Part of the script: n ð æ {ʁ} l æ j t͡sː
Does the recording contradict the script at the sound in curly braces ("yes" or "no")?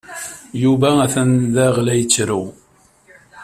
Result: no